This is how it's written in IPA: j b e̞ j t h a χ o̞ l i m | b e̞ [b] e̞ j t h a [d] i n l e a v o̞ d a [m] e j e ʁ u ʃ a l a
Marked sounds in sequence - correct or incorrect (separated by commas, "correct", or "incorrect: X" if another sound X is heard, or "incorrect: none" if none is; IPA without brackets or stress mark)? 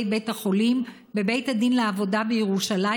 correct, correct, incorrect: b